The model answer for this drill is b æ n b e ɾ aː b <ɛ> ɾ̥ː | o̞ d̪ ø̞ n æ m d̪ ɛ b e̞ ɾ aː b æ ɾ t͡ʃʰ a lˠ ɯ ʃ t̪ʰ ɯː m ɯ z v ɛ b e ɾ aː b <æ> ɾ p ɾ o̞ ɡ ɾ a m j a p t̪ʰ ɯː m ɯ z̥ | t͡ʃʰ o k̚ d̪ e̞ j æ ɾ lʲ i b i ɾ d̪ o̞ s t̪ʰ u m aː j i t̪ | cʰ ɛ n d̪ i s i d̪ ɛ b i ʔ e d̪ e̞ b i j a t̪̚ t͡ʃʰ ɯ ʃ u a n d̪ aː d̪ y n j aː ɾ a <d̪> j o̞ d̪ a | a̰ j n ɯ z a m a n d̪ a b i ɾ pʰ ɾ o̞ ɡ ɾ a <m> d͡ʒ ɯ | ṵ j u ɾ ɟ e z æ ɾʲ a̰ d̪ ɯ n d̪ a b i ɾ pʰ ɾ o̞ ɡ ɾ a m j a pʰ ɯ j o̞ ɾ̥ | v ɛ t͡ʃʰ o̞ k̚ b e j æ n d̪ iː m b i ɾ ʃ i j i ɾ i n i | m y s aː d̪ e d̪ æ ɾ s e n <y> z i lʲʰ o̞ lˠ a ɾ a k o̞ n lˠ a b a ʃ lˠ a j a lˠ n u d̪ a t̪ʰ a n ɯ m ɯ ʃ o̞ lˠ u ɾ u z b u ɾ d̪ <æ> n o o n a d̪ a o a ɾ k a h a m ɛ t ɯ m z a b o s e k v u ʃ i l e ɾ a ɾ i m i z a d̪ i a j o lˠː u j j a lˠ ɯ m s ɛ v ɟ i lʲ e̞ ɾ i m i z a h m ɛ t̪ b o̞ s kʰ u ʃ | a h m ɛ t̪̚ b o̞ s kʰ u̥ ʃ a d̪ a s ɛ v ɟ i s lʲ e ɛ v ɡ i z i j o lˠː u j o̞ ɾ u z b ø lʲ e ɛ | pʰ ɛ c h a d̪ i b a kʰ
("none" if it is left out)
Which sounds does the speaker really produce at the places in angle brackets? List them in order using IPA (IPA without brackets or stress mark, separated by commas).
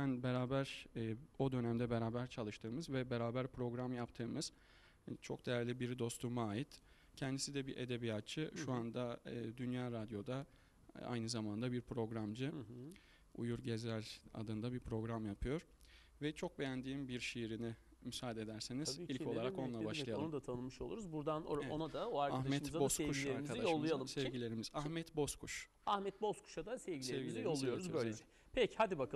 æ, æ, d̪, m, i, a